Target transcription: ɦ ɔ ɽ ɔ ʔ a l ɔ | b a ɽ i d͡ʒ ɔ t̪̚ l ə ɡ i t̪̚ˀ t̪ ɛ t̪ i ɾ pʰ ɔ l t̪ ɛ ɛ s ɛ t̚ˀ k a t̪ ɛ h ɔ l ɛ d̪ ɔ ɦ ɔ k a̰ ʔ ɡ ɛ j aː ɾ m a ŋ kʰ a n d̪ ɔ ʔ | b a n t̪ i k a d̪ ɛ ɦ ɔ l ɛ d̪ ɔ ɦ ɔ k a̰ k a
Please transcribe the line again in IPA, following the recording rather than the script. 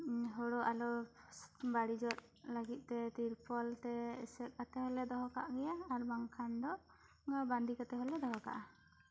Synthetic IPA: ɦ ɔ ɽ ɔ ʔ a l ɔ | b a ɽ i d͡ʒ ɔ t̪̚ l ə ɡ i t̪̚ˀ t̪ ɛ t̪ i ɾ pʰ ɔ l t̪ ɛ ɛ s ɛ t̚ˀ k a t̪ ɛ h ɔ l ɛ d̪ ɔ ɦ ɔ k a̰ ʔ ɡ ɛ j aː ɾ b a ŋ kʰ a n d̪ ɔ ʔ | b a n d̪ i k a t̪ ɛ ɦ ɔ l ɛ d̪ ɔ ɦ ɔ k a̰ ʔ a